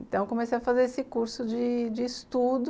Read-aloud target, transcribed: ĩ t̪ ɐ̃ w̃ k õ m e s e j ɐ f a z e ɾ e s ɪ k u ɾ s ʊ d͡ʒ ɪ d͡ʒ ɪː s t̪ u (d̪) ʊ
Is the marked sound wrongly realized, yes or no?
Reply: no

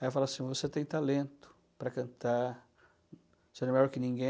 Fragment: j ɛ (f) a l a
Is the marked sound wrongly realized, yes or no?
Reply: no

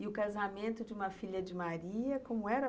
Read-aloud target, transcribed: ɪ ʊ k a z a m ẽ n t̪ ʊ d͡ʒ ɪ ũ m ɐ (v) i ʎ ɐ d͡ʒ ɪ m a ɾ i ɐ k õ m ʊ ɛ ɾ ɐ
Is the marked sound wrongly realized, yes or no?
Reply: yes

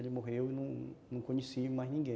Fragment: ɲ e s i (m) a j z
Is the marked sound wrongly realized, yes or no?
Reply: no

